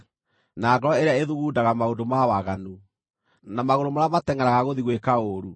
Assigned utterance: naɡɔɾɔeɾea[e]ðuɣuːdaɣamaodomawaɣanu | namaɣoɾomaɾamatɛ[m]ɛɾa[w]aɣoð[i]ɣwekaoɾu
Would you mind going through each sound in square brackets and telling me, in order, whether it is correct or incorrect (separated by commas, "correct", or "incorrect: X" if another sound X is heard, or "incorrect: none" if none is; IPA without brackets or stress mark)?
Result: correct, incorrect: ŋ, incorrect: ɣ, correct